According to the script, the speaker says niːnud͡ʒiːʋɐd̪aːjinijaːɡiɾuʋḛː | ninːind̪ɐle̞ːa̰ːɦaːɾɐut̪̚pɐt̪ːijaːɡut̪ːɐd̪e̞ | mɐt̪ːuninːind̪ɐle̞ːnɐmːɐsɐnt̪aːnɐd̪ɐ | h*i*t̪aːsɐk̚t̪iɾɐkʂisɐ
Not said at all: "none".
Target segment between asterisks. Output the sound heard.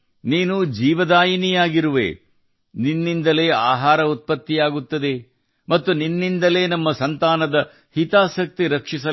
i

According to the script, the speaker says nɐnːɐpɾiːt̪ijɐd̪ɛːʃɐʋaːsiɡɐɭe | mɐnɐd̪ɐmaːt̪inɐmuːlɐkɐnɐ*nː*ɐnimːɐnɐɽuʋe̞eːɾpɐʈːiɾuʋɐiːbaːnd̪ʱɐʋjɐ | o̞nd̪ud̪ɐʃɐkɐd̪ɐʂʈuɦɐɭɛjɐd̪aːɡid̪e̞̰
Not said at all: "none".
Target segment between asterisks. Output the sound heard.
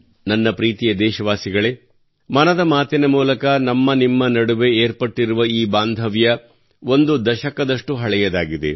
mː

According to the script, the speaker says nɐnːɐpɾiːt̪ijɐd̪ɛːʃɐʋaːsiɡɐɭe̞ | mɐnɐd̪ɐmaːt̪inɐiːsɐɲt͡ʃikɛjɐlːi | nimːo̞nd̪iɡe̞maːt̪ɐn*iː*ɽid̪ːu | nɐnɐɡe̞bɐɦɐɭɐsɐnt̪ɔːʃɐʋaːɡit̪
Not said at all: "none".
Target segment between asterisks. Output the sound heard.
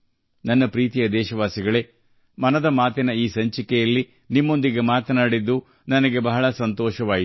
aː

